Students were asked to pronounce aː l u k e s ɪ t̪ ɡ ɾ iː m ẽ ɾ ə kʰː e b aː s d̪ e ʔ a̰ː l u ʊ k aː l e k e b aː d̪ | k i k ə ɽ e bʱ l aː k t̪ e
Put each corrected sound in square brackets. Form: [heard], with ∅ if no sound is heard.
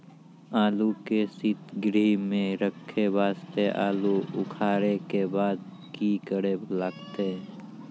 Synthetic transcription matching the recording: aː l u k e s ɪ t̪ ɡ ɾ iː m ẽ ɾ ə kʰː e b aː s [t̪] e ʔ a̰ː l u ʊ [kʰ] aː [ɾ] e k e b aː d̪ | k i k ə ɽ e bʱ l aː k t̪ e